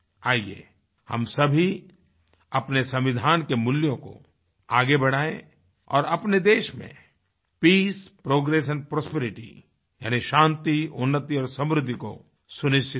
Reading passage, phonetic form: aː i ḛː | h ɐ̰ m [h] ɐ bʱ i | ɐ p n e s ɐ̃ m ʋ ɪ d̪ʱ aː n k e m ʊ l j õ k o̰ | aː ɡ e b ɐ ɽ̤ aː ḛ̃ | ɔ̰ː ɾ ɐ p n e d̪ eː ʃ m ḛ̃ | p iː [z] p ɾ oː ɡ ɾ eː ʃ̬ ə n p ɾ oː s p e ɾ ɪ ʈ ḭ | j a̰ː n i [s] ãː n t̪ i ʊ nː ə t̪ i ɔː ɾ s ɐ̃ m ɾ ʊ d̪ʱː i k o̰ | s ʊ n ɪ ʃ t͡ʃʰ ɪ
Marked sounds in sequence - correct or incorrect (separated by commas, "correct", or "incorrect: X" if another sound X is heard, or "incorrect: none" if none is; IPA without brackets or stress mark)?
incorrect: s, incorrect: s, incorrect: ʃ